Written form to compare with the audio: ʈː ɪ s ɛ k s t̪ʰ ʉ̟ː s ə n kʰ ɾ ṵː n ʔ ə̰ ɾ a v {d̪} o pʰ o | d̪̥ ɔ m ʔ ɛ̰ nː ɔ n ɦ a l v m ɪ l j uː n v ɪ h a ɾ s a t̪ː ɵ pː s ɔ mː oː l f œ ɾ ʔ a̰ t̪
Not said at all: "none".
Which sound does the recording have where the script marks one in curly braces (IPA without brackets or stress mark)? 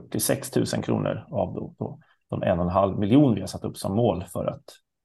d̪